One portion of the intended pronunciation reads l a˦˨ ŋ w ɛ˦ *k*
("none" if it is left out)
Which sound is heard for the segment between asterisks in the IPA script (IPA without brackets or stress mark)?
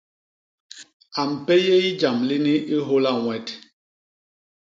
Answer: t